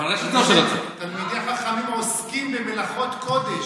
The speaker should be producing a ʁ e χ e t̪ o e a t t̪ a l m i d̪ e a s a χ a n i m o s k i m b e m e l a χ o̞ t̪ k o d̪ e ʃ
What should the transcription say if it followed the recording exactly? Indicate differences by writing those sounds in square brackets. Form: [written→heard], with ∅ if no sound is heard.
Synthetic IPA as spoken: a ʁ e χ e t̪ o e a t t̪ a l m i d̪ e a [s→χ] a χ a [n→m] i m o s k i m b e m e l a χ o̞ t̪ k o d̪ e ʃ

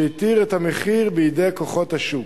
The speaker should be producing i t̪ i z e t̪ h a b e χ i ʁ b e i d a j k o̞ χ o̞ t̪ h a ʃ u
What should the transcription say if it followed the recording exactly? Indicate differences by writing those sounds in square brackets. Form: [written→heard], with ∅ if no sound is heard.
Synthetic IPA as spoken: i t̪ i [z→ʁ] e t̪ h a [b→m] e χ i ʁ b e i d [a→e] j k o̞ χ o̞ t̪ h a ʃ u

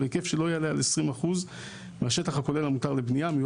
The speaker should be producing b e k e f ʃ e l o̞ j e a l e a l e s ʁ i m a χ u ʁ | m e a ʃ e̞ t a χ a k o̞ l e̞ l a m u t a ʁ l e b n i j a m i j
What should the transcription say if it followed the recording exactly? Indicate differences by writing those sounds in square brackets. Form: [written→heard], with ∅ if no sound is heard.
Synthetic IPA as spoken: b e k e f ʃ e l o̞ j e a l e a l e s ʁ i m a χ u [ʁ→z] | m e a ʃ e̞ t a χ a k o̞ l e̞ l a m u t a ʁ l e b n i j a m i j

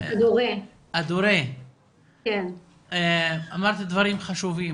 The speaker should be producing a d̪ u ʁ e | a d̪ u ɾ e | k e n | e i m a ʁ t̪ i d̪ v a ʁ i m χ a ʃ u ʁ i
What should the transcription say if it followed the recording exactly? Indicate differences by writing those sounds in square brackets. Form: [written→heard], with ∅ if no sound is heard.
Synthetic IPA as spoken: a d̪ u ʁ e | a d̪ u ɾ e | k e n | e [i→a] m a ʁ t̪ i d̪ v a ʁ i m χ a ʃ u [ʁ→v] i

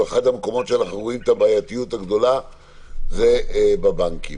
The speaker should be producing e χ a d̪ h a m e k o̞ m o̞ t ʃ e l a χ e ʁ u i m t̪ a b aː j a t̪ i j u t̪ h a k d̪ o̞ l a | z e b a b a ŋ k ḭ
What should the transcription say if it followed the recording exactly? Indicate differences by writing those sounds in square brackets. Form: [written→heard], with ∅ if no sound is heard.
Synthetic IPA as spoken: e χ a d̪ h a m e k o̞ m o̞ t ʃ e l a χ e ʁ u i m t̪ a b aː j a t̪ i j u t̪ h a [k→ɡ] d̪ o̞ l a | z e b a b a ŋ k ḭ

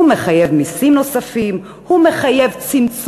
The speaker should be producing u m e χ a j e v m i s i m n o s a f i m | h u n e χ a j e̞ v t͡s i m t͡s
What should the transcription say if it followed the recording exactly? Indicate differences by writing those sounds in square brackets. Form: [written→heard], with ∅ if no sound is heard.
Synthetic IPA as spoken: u m e χ a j e v m i s i m n o s a f i m | h u [n→m] e χ a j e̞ v t͡s i m t͡s

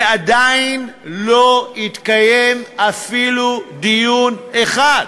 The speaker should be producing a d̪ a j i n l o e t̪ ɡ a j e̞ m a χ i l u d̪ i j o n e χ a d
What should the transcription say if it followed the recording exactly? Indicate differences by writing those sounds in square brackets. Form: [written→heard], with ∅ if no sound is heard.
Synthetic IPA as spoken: a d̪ a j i n l o [e→i] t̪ [ɡ→k] a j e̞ m a [χ→f] i l u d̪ i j [o→u] n e χ a d

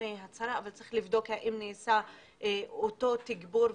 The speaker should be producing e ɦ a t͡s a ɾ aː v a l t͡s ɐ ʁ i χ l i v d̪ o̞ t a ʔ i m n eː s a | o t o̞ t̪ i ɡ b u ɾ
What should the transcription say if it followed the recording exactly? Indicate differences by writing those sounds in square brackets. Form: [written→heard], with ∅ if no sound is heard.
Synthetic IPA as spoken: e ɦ a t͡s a ɾ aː v a l t͡s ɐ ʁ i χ l i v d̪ o̞ [t→k] a ʔ i m n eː s a | o t o̞ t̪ i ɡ b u ɾ

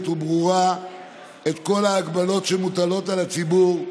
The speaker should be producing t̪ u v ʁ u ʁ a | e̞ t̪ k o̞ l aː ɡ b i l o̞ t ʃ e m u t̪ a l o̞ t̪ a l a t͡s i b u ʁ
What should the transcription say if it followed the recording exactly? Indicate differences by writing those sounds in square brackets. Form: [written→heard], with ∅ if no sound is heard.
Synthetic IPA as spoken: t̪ u [v→b] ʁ u ʁ a | e̞ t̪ k o̞ l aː ɡ b [i→a] l o̞ t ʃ e m u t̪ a l o̞ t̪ a l a t͡s i b u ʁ

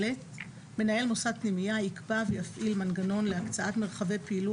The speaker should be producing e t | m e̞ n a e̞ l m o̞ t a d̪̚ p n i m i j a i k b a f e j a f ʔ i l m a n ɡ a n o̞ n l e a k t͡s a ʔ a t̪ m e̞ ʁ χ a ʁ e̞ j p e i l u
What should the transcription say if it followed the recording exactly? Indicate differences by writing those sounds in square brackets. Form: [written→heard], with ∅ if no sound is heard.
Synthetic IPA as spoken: e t | m e̞ n a e̞ l m o̞ [t→s] a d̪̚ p n i m i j a i k b a [f→v] e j a f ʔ i l m a n ɡ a n o̞ n l e a k t͡s a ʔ a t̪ m e̞ ʁ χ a [ʁ→v] e̞ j p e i l u

